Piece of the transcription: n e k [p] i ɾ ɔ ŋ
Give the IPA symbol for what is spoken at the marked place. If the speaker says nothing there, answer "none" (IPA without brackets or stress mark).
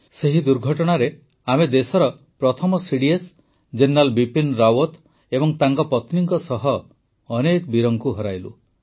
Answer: b